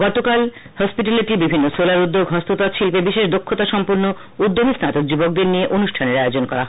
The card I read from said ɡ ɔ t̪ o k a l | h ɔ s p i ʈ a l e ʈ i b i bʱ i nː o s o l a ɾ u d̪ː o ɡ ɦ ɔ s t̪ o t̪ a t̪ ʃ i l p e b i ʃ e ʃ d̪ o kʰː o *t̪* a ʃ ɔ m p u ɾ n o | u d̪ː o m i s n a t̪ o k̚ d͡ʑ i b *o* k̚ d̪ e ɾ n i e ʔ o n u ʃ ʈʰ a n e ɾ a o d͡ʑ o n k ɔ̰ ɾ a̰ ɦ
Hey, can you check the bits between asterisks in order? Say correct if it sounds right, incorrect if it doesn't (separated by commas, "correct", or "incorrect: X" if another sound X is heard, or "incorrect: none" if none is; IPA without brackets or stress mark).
correct, correct